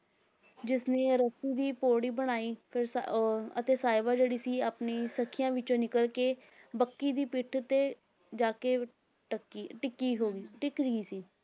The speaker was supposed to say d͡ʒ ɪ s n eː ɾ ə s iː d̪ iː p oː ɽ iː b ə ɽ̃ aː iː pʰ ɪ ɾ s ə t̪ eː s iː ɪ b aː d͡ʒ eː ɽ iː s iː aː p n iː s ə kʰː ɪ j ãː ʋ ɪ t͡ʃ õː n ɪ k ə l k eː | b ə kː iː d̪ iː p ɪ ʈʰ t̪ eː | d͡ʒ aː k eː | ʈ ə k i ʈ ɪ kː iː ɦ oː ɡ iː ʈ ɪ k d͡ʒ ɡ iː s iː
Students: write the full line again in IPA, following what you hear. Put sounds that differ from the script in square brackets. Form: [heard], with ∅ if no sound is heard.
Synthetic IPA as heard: d͡ʒ ɪ s n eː ɾ ə s iː d̪ iː p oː ɽ iː b ə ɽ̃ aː iː pʰ ɪ ɾ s ə t̪ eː s [aː] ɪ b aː d͡ʒ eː ɽ iː s iː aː p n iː s ə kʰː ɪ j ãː ʋ ɪ t͡ʃ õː n ɪ k ə l k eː | b ə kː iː d̪ iː p ɪ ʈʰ t̪ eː | d͡ʒ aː k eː | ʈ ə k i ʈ ɪ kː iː ɦ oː ɡ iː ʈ ɪ k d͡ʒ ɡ iː s iː